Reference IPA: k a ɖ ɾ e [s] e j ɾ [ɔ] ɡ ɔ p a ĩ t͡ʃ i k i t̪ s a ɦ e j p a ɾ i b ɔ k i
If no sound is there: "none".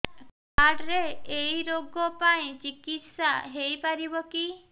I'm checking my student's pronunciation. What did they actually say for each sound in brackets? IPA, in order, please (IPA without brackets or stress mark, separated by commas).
none, o